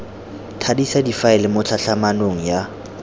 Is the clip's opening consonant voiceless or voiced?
voiceless